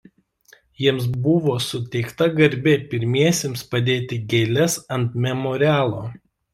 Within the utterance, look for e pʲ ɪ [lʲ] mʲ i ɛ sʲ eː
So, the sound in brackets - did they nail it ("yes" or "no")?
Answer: no